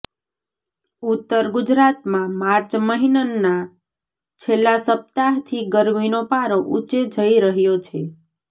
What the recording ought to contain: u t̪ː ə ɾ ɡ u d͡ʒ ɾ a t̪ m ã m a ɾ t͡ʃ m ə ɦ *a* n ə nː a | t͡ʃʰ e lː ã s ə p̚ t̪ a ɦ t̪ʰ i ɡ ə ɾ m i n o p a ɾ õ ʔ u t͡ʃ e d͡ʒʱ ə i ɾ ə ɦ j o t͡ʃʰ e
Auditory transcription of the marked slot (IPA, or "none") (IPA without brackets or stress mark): i